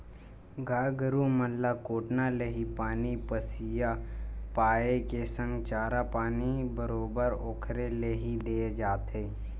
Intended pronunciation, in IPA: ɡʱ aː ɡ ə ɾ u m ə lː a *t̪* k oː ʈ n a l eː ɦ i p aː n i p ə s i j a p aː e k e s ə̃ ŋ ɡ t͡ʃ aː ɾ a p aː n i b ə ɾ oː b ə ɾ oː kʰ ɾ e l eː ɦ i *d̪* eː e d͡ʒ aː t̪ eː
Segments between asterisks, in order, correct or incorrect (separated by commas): incorrect, correct